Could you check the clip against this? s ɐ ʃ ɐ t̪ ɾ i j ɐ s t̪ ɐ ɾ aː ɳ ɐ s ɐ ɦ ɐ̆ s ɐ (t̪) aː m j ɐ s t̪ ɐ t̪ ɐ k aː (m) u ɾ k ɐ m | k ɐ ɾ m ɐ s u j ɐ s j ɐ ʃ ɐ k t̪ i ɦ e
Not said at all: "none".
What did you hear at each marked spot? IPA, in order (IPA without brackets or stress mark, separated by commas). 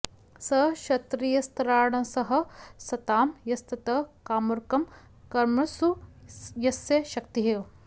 t̪, m